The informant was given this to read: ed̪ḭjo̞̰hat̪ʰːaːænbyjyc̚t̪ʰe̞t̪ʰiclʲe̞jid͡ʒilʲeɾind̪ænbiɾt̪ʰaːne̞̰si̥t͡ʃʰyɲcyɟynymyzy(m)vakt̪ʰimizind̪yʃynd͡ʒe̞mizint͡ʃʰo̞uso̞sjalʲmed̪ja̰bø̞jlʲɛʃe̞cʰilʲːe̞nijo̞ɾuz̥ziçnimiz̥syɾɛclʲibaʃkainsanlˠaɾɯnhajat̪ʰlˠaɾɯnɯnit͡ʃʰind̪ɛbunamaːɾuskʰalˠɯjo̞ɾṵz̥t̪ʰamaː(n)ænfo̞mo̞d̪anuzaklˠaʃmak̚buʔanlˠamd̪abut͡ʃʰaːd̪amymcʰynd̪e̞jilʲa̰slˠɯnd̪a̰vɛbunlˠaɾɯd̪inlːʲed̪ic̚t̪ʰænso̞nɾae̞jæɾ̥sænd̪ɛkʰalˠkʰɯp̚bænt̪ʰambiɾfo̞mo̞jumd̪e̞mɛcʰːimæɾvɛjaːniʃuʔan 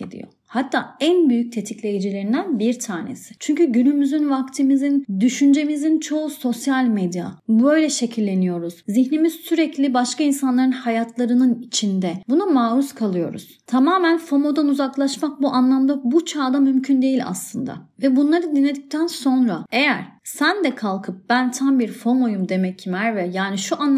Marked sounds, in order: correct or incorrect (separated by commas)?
incorrect, incorrect